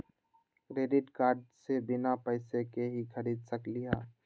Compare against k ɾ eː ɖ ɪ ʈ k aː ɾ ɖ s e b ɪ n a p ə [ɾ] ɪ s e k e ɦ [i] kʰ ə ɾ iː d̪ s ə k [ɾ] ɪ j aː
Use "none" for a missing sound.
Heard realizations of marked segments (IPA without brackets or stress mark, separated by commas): none, i, l